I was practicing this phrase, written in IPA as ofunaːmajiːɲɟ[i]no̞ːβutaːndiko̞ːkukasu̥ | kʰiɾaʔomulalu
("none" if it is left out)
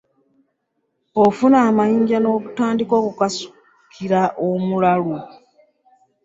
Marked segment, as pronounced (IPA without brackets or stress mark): a